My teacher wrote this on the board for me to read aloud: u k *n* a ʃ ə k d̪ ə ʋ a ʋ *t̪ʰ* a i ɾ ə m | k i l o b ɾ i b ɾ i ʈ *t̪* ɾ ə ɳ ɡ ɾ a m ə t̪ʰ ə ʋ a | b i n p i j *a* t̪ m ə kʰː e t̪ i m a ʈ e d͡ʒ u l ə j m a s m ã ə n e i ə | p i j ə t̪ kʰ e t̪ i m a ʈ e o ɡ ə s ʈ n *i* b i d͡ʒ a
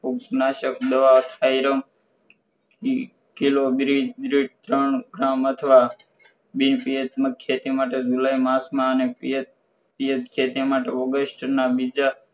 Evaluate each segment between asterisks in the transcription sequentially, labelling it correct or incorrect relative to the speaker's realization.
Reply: correct, correct, correct, incorrect, incorrect

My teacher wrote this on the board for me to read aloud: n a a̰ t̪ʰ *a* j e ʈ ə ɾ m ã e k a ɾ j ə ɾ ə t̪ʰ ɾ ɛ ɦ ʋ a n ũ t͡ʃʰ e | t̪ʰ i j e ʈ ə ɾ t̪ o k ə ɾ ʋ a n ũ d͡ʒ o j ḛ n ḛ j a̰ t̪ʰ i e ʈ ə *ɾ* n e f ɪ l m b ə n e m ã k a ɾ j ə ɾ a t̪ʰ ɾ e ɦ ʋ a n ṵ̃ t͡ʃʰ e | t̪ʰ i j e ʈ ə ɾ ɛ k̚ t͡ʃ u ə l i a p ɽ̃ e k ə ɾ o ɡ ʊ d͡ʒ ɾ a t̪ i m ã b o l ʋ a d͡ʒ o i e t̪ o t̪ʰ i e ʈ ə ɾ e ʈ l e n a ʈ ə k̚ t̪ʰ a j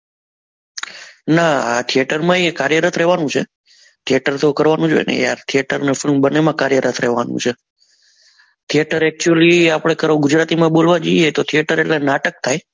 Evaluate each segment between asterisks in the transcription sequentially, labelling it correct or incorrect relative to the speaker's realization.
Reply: incorrect, correct

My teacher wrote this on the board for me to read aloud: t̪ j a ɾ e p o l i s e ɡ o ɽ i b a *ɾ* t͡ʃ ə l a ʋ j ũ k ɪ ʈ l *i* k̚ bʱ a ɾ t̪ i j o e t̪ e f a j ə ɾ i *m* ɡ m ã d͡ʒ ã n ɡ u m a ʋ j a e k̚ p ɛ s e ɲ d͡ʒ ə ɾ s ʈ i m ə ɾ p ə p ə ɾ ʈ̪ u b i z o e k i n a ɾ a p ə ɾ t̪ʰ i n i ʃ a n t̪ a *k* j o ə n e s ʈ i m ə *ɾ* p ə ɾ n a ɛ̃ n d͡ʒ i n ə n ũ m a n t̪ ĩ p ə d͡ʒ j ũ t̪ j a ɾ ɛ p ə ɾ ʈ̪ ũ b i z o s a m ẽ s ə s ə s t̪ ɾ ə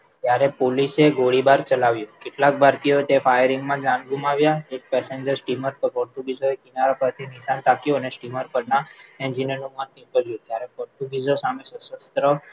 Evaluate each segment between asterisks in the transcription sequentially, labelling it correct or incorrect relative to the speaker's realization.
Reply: correct, incorrect, incorrect, correct, correct

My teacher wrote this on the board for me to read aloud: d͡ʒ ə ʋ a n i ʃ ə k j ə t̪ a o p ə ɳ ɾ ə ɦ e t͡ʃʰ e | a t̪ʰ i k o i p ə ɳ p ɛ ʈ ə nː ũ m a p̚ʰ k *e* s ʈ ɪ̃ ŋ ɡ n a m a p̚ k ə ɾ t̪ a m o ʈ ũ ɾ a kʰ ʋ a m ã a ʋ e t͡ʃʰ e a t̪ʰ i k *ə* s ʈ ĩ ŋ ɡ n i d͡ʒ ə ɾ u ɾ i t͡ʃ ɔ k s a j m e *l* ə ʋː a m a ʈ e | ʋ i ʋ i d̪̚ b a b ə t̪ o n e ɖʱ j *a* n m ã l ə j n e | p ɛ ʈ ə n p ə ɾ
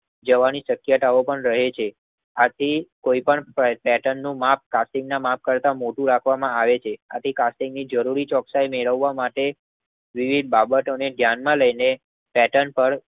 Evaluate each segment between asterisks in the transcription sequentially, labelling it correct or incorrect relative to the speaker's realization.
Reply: incorrect, incorrect, incorrect, correct

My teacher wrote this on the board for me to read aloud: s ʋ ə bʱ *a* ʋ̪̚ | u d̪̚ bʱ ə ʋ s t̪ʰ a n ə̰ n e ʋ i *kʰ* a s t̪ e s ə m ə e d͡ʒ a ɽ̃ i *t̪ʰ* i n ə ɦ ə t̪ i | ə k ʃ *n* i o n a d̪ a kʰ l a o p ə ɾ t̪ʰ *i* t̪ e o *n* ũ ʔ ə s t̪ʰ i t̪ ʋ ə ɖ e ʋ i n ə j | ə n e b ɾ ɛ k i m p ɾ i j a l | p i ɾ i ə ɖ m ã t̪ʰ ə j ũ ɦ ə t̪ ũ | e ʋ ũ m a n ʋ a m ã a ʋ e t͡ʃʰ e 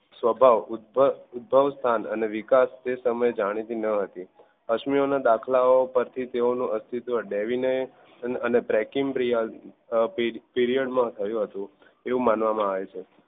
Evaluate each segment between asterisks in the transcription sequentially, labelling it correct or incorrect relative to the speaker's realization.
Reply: correct, incorrect, incorrect, incorrect, correct, correct

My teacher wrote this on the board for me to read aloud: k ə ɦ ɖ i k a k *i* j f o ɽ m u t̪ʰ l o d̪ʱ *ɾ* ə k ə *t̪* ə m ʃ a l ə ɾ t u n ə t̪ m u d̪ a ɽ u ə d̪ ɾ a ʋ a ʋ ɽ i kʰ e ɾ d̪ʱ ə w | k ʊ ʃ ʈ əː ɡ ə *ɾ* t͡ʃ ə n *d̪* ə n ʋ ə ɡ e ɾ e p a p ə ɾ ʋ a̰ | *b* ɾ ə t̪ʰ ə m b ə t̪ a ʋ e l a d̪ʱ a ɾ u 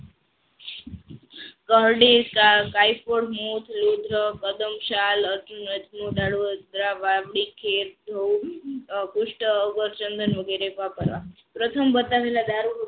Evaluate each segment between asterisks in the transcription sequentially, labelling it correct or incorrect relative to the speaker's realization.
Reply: incorrect, correct, incorrect, correct, correct, incorrect

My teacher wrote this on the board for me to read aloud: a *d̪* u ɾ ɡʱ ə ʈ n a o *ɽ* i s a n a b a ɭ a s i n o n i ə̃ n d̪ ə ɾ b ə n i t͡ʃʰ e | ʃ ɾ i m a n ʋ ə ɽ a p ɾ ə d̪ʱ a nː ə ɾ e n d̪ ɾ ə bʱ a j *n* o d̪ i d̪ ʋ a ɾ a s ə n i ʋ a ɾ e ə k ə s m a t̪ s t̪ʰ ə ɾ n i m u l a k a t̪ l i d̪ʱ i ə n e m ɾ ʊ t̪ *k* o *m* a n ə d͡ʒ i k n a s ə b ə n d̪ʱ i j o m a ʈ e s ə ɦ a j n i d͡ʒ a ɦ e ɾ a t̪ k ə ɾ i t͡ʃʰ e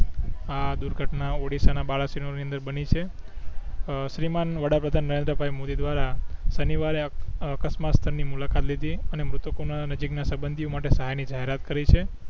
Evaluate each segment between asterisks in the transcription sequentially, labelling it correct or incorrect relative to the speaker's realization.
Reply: correct, correct, incorrect, correct, incorrect

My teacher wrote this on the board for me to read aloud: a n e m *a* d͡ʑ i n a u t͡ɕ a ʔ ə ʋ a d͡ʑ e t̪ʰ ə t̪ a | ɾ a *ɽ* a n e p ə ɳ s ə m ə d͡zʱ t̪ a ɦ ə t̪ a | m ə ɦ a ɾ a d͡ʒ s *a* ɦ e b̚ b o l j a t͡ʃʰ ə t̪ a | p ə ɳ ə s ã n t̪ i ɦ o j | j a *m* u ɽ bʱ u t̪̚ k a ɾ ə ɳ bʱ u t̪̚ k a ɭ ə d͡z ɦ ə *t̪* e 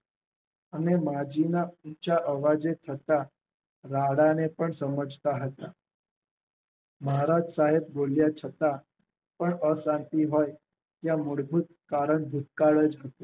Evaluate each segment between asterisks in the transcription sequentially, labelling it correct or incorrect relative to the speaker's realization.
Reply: correct, correct, correct, correct, correct

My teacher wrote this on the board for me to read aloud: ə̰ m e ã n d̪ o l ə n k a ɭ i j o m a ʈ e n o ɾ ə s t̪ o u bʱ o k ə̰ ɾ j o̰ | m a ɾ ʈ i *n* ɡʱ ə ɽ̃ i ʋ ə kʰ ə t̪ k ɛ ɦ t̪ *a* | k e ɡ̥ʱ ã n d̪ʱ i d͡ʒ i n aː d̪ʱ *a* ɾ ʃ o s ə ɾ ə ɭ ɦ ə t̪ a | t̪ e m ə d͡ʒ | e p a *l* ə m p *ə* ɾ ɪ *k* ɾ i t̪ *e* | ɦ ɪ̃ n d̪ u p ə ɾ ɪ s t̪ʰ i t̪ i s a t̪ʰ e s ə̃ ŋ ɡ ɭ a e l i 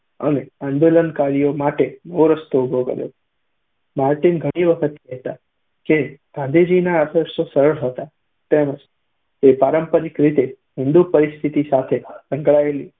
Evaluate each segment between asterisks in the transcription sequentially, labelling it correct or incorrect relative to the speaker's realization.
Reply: correct, correct, incorrect, incorrect, correct, correct, correct

